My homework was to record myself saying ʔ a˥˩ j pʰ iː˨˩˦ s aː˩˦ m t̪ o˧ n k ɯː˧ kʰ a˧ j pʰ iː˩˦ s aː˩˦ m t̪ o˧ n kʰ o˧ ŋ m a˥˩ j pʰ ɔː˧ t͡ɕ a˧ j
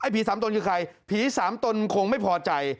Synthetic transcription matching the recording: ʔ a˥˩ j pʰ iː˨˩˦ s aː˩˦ m t̪ o˧ n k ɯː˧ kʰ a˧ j pʰ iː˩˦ s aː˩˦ m t̪ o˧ n kʰ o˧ ŋ m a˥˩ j pʰ ɔː˧ t͡ɕ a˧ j